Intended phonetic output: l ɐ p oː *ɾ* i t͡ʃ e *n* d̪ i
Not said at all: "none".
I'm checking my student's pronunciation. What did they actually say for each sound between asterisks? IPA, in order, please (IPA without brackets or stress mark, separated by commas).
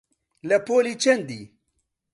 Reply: l, n